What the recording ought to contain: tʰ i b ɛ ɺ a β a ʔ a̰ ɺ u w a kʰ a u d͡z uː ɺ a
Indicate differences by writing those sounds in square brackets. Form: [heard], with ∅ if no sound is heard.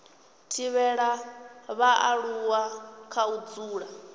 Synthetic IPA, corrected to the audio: tʰ i [β] ɛ ɺ a β a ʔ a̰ ɺ u w a kʰ a u d͡z uː ɺ a